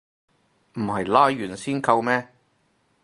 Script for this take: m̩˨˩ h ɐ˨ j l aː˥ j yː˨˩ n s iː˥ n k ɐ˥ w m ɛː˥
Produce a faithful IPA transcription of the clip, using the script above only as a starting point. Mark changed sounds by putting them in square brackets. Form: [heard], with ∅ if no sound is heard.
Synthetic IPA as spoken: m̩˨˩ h ɐ˨ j l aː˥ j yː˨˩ n s iː˥ n k [ɐ˧] w m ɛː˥